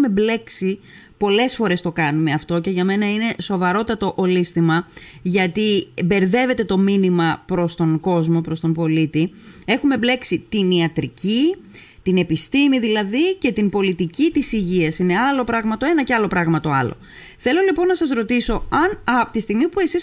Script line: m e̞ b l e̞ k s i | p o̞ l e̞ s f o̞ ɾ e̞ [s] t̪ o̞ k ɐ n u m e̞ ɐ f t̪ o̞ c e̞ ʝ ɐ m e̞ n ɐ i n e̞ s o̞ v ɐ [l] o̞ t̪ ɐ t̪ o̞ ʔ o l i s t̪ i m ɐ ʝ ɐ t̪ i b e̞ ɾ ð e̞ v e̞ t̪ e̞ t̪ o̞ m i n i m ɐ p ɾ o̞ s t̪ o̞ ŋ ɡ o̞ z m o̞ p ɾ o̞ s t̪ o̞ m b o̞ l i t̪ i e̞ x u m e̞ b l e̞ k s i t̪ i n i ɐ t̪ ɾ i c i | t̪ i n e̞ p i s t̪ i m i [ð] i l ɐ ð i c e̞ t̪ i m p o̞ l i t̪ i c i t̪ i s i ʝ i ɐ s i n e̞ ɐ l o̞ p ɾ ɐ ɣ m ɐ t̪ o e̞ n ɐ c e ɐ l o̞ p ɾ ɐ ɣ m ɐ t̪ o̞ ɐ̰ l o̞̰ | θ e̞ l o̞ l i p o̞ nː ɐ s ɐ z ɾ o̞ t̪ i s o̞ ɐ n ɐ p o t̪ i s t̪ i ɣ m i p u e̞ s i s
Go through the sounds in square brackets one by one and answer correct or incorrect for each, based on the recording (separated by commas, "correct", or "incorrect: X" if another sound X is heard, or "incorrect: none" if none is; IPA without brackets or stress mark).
correct, incorrect: ɾ, correct